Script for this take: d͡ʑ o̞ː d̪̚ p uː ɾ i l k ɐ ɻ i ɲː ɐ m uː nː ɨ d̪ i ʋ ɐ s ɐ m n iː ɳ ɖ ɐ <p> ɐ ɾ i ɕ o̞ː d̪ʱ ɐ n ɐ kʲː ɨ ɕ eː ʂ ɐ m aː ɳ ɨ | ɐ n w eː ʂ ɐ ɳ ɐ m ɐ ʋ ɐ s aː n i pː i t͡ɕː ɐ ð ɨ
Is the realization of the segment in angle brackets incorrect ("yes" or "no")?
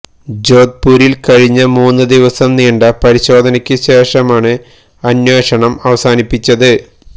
no